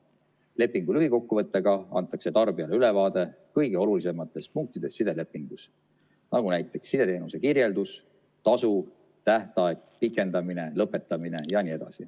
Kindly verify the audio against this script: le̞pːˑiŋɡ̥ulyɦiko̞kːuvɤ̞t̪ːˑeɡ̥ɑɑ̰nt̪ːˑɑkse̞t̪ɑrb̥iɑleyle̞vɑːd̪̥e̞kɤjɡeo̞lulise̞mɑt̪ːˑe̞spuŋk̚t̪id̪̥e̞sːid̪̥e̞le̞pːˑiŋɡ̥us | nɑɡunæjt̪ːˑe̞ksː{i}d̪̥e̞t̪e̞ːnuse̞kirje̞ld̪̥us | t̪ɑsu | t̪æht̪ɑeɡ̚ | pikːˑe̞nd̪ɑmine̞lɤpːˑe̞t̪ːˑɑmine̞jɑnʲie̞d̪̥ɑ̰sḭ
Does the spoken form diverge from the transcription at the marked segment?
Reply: no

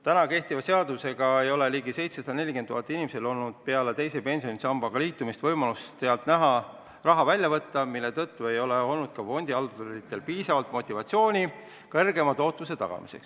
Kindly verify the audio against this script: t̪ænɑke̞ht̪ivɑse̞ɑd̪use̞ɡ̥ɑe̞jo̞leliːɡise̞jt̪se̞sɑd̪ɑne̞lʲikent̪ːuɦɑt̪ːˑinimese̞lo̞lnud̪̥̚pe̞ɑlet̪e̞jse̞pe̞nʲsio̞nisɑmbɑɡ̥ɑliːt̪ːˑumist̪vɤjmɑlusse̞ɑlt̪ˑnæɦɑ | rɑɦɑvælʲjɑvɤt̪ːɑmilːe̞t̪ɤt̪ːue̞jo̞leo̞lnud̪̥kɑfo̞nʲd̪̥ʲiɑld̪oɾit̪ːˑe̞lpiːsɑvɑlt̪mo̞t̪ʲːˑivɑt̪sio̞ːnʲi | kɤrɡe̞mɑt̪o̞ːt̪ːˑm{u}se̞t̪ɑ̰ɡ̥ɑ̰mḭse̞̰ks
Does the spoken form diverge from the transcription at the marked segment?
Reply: no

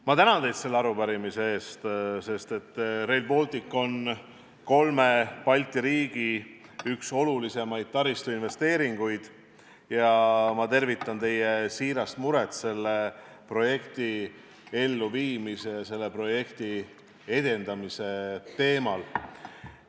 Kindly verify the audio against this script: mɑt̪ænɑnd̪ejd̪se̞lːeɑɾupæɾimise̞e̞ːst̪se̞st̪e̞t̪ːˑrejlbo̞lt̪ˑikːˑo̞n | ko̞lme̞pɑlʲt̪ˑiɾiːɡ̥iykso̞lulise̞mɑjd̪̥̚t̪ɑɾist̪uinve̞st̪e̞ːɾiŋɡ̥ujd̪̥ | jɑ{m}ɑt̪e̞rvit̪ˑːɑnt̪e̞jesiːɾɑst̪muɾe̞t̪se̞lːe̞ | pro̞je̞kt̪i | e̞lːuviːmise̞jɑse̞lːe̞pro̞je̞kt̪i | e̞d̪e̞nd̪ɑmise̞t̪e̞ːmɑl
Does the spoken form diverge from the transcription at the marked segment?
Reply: no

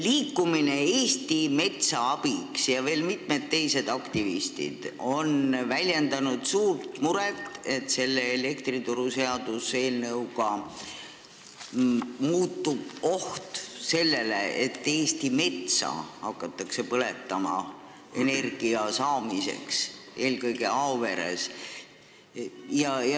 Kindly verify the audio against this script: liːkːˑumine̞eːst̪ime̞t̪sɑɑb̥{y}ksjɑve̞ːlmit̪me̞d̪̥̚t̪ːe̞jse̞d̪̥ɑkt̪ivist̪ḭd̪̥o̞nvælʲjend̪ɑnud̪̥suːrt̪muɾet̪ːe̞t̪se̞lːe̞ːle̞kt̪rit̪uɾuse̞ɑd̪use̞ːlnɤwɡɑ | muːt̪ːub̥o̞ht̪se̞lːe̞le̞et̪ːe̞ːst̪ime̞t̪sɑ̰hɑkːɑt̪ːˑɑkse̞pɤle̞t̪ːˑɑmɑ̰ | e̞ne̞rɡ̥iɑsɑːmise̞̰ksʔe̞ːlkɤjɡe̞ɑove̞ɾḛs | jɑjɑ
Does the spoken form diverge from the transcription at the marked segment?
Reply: yes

